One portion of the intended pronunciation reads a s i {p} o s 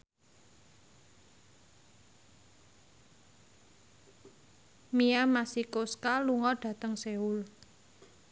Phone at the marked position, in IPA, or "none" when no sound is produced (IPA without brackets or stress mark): k